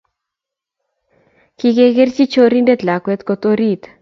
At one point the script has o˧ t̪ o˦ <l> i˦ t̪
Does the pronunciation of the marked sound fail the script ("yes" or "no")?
yes